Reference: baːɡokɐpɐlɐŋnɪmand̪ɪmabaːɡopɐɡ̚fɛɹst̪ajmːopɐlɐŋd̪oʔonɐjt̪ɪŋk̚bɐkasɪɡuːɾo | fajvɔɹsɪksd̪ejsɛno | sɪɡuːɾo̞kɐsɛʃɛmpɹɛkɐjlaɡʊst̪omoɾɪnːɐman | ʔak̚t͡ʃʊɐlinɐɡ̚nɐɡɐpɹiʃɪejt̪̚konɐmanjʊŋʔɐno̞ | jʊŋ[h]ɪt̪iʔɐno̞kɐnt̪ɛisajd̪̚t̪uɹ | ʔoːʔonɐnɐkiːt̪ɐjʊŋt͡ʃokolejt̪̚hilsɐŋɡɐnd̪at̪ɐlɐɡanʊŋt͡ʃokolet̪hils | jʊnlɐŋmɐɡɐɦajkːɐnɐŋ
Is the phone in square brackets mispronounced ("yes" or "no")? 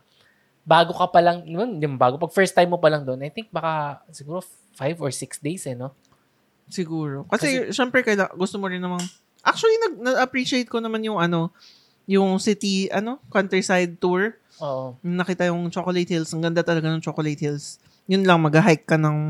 yes